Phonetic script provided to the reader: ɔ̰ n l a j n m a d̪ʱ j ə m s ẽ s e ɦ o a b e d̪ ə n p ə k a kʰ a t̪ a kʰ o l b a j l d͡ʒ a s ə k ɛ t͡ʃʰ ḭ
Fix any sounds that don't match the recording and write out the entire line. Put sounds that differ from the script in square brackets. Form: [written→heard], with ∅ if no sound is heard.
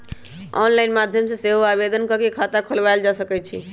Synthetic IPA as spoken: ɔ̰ n l a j n m a d̪ʱ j ə m s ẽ s e ɦ o a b e d̪ ə n [p→k] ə k [a→e] kʰ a t̪ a kʰ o l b a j l d͡ʒ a s ə k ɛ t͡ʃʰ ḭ